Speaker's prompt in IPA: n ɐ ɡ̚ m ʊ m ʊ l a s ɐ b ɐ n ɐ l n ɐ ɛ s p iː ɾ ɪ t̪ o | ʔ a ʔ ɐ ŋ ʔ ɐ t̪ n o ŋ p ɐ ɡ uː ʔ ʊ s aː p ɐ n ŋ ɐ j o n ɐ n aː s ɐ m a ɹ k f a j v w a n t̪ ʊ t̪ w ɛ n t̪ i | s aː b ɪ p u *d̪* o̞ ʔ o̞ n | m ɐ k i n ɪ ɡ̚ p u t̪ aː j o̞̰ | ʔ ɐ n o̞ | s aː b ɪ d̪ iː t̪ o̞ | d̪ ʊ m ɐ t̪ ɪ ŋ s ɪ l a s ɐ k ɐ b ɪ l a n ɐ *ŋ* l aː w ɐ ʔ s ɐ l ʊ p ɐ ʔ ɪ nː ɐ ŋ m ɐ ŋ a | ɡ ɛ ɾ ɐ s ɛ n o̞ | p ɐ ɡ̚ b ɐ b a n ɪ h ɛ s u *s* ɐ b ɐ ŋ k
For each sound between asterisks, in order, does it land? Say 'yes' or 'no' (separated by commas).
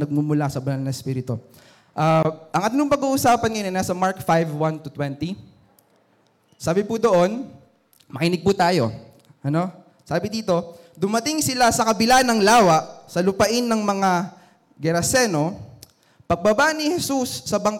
yes, yes, no